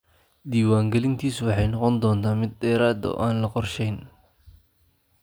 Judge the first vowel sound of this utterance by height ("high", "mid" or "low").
high